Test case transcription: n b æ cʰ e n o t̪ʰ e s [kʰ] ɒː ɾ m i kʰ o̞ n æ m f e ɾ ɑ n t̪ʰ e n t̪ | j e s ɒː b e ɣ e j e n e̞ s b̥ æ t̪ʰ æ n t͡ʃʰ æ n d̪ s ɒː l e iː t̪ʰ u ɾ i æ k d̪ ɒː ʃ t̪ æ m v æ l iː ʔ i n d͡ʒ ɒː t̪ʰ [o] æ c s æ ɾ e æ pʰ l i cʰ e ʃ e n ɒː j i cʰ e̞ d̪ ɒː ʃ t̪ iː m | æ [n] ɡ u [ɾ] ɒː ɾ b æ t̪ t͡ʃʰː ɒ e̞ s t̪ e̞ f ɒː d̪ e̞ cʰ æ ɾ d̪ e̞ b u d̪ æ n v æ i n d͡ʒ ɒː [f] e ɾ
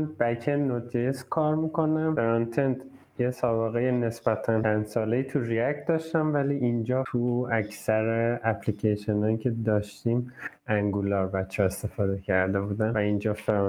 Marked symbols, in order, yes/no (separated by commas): yes, no, no, no, yes